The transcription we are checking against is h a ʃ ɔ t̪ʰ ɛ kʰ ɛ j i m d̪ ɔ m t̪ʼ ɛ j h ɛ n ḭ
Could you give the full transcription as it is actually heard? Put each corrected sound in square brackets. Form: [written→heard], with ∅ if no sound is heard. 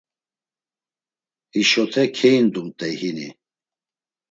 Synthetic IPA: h [a→i] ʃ ɔ t̪ʰ ɛ kʰ ɛ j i [m→n] d̪ [ɔ→u] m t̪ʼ ɛ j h [ɛ→i] n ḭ